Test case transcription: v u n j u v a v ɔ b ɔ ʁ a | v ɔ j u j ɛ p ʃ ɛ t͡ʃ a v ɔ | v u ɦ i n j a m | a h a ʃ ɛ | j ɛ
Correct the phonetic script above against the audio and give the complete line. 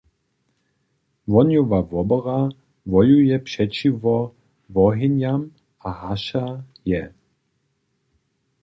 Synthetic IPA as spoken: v ɔ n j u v a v ɔ b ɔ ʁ a | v ɔ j u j ɛ p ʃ ɛ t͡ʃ i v ɔ | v ɔ ɦ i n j a m | a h a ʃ a | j ɛ